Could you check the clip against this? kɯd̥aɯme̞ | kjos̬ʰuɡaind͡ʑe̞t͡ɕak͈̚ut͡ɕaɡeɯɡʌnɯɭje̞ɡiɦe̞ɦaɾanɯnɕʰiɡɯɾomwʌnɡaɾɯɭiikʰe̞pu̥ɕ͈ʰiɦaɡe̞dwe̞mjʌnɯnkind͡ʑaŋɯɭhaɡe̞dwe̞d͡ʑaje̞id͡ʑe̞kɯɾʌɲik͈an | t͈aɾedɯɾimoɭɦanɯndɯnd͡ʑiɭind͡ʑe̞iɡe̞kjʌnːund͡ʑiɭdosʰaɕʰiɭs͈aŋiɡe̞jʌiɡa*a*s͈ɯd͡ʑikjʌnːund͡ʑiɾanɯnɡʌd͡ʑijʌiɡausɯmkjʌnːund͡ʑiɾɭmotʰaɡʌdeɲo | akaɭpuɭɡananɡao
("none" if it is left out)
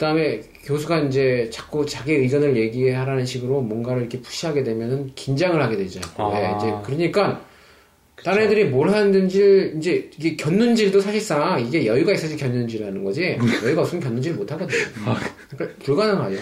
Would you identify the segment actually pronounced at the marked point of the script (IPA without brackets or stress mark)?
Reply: i